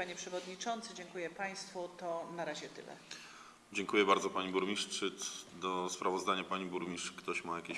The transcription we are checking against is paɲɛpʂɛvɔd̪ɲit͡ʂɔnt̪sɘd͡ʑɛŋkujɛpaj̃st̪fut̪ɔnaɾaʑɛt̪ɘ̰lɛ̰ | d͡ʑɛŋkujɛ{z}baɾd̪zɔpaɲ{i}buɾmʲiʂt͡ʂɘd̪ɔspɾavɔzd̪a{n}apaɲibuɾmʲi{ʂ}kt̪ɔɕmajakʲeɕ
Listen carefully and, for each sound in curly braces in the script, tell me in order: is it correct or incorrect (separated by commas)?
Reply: incorrect, correct, incorrect, correct